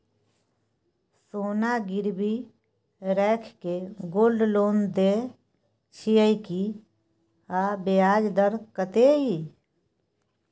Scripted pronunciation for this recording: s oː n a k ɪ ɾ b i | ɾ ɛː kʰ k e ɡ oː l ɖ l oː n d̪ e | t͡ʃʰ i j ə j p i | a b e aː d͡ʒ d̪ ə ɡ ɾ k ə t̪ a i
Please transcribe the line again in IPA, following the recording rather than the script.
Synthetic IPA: s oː n a ɡ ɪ ɾ b i | ɾ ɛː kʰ k e ɡ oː l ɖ l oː n d̪ e | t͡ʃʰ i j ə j k i | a b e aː d͡ʒ d̪ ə ɾ k ə t̪ e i